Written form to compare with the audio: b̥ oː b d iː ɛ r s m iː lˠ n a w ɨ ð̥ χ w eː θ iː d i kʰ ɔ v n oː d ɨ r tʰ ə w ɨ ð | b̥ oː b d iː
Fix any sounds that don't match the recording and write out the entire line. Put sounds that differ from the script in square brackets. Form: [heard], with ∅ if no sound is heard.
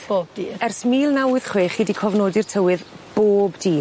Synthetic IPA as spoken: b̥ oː b d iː ɛ r s m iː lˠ n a w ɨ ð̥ χ w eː [χ] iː d i kʰ ɔ v n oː d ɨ r tʰ ə w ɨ ð | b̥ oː b d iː